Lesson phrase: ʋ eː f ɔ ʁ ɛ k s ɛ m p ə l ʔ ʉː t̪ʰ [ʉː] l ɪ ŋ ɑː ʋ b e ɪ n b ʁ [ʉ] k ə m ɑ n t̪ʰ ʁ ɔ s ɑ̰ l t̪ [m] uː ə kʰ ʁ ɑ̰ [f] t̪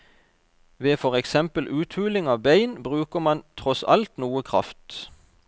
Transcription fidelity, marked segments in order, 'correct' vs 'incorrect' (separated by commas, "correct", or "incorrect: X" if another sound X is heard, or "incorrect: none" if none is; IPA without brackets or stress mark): correct, incorrect: ʉː, incorrect: n, correct